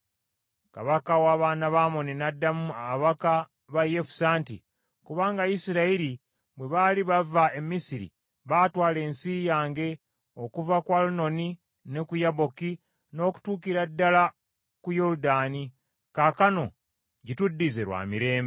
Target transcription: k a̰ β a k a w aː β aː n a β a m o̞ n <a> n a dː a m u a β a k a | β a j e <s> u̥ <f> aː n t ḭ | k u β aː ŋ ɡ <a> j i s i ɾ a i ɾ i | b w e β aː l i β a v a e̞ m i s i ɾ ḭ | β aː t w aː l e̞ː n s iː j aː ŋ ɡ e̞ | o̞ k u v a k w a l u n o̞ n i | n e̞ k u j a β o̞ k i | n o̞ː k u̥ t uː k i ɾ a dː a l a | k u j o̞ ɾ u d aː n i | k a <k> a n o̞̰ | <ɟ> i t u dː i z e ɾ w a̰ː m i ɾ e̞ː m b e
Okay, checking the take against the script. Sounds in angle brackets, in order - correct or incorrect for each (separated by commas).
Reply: incorrect, incorrect, incorrect, correct, correct, correct